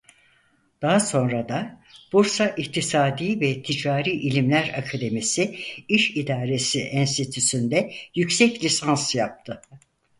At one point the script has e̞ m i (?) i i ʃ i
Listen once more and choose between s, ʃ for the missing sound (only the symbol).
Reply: s